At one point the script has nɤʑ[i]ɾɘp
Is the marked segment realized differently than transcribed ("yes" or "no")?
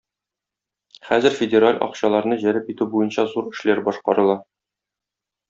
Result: yes